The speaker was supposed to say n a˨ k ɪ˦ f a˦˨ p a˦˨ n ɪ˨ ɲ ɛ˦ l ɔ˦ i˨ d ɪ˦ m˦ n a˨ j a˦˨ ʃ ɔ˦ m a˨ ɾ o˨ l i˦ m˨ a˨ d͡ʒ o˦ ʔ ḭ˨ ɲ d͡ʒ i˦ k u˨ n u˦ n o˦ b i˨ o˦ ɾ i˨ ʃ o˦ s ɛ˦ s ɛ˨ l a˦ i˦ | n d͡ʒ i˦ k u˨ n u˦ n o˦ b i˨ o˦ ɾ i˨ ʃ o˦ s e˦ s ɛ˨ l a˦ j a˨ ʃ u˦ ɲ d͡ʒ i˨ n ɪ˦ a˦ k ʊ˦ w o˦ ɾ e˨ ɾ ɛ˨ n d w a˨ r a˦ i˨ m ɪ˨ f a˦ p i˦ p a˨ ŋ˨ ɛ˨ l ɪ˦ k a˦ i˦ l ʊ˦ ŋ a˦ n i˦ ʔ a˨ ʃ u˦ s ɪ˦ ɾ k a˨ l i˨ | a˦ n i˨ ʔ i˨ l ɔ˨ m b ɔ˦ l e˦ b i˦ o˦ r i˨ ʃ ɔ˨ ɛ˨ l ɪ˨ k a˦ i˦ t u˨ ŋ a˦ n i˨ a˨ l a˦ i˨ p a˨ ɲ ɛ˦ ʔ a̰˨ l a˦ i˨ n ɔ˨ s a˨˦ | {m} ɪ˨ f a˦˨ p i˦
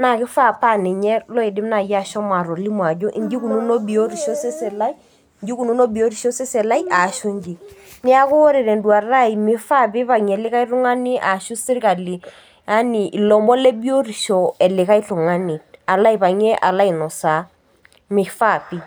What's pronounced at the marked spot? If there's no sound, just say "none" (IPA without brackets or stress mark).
m